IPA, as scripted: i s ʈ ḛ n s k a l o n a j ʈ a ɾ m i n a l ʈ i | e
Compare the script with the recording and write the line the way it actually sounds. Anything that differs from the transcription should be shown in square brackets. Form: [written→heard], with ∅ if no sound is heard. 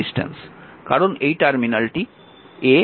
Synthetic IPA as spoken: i s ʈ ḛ n s k a [l→ɾ] o n [a→e] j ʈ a ɾ m i n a l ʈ i | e